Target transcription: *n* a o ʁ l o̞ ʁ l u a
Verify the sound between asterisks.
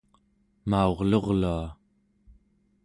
incorrect: m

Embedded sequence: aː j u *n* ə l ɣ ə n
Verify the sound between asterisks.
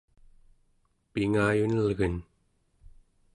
correct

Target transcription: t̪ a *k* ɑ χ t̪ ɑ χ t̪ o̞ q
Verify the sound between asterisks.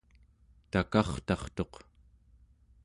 correct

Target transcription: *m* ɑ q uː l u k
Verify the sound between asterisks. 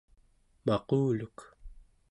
correct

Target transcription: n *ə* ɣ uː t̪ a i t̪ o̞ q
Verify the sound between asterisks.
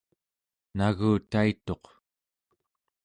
incorrect: a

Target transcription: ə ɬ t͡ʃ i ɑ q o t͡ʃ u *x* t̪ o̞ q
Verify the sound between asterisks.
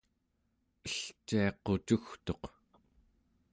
correct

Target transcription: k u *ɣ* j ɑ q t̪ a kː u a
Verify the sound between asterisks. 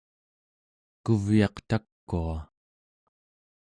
incorrect: v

